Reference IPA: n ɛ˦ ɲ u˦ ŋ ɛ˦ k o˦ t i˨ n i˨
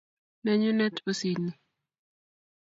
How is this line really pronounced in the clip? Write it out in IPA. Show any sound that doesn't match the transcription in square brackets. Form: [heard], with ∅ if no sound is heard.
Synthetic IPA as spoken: n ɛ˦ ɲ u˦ [n] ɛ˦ [t] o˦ [s] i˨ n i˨